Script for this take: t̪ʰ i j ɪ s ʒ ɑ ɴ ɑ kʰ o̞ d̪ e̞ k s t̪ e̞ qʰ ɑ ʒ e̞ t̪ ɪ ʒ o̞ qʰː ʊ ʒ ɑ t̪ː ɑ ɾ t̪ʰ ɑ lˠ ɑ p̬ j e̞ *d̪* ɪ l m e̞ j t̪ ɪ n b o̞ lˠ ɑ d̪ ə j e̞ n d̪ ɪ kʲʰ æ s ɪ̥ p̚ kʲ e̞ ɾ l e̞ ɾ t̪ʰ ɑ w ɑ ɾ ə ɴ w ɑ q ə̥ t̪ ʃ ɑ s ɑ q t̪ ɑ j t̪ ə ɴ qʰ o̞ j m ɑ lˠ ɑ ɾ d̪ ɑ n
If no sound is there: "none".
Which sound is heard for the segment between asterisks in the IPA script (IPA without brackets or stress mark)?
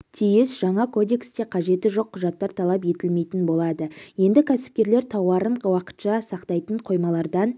t̪